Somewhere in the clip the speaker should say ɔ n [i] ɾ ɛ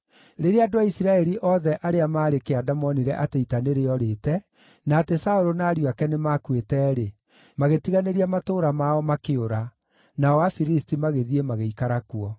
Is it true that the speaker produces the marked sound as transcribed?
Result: yes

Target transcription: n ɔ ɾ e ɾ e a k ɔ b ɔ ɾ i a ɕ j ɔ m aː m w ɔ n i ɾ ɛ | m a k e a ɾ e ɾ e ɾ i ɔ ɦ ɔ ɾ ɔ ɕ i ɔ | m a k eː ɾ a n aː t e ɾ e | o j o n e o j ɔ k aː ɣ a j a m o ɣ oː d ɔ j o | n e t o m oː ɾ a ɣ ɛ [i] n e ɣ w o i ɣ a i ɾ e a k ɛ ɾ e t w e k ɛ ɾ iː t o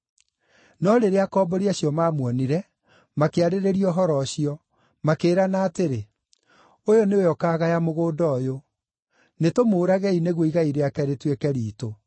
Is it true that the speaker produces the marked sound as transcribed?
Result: yes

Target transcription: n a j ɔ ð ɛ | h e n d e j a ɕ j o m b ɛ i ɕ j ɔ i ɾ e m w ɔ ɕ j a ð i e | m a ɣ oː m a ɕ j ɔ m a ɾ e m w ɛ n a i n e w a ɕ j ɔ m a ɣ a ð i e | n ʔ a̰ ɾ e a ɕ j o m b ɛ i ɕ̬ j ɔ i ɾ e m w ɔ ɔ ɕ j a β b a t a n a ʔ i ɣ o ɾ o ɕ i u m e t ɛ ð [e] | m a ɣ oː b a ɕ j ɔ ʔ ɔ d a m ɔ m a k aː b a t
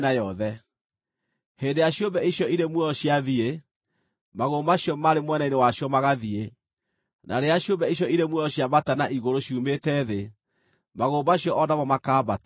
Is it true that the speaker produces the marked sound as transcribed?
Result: yes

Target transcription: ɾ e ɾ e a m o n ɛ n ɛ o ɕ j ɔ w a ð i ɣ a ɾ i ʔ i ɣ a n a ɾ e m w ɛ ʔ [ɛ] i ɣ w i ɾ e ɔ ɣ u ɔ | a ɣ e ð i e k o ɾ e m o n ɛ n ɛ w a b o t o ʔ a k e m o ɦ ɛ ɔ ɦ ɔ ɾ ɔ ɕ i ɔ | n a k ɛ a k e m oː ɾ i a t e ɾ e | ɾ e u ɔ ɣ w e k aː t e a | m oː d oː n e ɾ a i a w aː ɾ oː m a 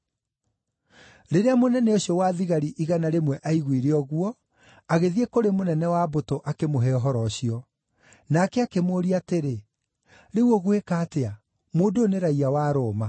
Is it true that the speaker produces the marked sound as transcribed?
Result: no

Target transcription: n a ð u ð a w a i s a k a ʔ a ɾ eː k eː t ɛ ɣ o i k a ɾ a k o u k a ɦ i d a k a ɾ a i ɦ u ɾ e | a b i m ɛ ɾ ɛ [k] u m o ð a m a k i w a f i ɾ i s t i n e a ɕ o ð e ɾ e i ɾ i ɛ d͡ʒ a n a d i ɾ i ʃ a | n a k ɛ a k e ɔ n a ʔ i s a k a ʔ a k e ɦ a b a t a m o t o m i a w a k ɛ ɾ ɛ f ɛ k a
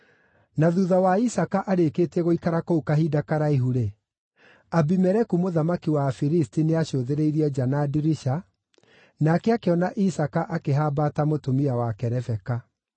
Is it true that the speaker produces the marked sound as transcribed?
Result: yes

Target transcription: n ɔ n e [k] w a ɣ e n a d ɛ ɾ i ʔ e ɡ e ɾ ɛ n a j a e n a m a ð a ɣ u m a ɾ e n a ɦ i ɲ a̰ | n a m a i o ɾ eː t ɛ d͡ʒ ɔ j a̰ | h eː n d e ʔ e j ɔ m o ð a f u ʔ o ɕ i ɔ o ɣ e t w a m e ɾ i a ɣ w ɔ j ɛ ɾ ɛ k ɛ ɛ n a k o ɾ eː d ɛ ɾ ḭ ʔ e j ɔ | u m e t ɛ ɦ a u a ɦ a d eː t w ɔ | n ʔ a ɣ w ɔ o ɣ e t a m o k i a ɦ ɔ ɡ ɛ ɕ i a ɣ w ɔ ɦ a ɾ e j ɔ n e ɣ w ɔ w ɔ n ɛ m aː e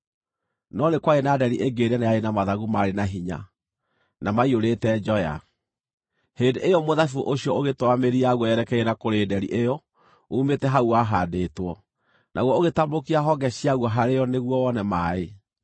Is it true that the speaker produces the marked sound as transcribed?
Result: yes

